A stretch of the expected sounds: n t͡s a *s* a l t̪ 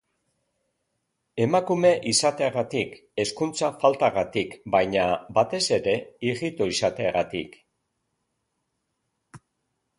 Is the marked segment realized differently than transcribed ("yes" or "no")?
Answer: yes